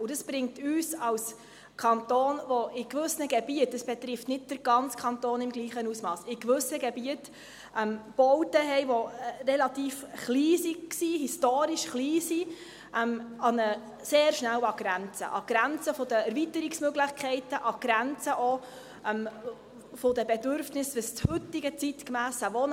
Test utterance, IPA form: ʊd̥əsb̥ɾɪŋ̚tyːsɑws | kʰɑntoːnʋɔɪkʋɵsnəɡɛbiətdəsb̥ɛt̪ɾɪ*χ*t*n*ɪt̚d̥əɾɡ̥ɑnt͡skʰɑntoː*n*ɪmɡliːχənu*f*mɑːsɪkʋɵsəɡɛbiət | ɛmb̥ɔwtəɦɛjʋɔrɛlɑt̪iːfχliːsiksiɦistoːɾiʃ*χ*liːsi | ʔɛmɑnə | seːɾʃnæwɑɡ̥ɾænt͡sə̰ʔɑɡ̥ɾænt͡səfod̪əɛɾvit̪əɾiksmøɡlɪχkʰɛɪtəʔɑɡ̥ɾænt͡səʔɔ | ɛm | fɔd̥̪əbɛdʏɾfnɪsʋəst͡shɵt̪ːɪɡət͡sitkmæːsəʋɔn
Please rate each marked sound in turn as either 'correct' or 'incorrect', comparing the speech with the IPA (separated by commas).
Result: incorrect, correct, correct, incorrect, correct